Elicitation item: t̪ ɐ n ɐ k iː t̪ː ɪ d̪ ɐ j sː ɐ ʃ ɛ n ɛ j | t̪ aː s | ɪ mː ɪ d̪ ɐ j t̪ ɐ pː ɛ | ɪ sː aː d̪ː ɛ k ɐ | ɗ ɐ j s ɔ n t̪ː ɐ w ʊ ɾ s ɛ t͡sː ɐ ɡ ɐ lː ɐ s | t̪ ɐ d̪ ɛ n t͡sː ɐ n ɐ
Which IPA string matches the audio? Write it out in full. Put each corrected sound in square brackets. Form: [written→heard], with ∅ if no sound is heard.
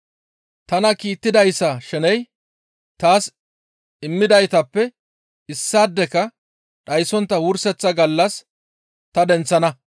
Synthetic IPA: t̪ ɐ n ɐ k iː t̪ː ɪ d̪ ɐ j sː ɐ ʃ ɛ n ɛ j | t̪ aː s | ɪ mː ɪ d̪ ɐ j t̪ ɐ pː ɛ | ɪ sː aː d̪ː ɛ k ɐ | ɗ ɐ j s ɔ n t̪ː ɐ w ʊ ɾ s ɛ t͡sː ɐ ɡ ɐ lː ɐ s | t̪ ɐ d̪ ɛ n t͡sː ɐ n ɐ